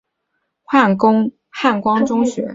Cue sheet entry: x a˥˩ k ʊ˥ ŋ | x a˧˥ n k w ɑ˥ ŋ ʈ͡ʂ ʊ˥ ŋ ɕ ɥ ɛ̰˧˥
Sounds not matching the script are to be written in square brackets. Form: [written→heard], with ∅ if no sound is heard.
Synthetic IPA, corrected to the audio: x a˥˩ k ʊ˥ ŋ | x [a˧˥→a˥˩] n k w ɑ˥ ŋ ʈ͡ʂ ʊ˥ ŋ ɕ ɥ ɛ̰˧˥